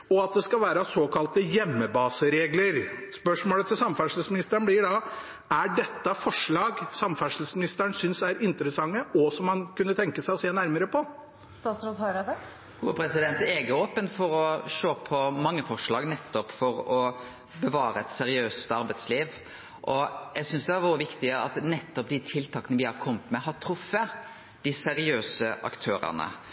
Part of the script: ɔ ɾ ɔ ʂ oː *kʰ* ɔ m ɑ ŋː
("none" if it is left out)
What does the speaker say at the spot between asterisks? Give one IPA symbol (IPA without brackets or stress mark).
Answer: pʰ